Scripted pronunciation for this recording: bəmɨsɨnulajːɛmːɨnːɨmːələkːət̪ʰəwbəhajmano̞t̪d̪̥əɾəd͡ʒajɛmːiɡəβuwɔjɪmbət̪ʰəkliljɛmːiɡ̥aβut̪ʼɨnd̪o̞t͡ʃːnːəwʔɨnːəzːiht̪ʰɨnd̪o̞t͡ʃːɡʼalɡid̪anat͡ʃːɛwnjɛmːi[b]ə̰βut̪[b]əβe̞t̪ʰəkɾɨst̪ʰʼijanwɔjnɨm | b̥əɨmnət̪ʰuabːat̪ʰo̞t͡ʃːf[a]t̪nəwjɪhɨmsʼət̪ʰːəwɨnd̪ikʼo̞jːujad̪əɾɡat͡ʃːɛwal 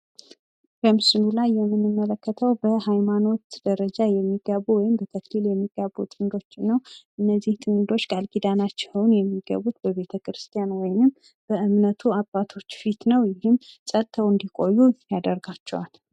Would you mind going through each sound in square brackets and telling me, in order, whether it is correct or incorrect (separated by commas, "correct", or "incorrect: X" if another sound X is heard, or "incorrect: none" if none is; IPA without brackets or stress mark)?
incorrect: ɡ, correct, incorrect: i